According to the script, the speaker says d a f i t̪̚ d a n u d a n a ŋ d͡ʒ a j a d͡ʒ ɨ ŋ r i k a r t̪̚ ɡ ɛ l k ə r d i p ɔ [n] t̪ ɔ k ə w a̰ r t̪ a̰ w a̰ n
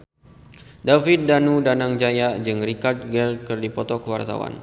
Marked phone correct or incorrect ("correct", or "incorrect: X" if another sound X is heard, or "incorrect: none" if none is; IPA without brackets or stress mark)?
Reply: incorrect: none